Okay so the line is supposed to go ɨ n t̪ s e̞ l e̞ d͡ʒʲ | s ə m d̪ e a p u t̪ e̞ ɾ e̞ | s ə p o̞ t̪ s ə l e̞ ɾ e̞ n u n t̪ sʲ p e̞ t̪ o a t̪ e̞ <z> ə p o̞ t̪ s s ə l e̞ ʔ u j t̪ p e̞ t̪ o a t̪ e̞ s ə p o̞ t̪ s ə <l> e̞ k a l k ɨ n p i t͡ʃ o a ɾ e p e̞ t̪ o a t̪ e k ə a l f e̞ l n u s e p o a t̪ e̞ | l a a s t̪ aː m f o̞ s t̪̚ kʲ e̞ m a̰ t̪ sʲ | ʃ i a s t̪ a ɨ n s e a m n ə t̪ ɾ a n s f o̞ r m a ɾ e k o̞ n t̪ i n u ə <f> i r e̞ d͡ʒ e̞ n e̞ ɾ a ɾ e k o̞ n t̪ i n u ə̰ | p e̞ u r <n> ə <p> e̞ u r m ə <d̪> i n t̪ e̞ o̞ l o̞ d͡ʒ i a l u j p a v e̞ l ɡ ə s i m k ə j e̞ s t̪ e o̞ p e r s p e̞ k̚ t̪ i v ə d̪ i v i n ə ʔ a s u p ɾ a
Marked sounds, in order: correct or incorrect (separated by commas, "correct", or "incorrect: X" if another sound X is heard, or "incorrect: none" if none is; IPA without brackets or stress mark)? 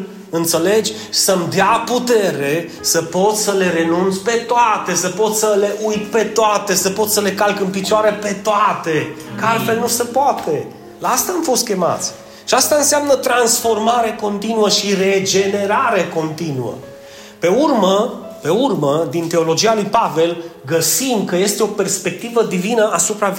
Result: incorrect: s, correct, incorrect: ʃ, incorrect: m, correct, correct